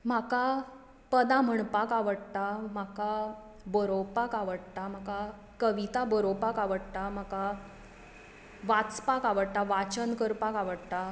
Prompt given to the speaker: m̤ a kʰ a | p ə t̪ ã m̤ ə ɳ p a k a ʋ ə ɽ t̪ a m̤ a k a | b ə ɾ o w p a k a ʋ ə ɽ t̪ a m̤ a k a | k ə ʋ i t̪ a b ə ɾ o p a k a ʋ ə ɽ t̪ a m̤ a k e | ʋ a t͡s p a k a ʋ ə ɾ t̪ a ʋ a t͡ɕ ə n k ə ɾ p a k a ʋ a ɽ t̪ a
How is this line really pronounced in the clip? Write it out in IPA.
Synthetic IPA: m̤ a k a | p ə d̪ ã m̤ ə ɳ p a k a ʋ ə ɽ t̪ a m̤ a k a | b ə ɾ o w p a k a ʋ ə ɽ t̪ a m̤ a k a | k ə ʋ i t̪ a b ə ɾ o p a k a ʋ ə ɽ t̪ a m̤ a k a | ʋ a t͡s p a k a ʋ ə ɽ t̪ a ʋ a t͡ɕ ə n k ə ɾ p a k a ʋ ə ɽ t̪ a